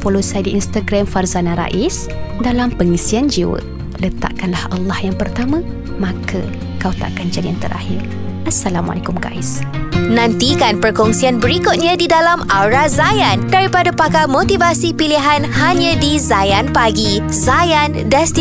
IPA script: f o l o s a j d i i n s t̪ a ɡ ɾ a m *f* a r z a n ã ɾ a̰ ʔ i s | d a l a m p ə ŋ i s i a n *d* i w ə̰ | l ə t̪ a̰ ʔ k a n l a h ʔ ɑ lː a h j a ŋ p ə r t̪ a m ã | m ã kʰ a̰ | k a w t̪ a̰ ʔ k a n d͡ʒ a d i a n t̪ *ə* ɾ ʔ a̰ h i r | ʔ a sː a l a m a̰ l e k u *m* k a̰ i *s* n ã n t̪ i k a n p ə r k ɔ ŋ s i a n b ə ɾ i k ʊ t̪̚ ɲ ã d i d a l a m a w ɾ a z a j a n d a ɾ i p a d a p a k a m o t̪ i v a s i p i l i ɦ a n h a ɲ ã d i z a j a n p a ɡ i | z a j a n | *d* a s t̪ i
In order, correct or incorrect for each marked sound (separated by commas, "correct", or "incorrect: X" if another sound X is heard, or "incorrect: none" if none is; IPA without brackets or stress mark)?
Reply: correct, incorrect: d͡ʒ, correct, correct, correct, correct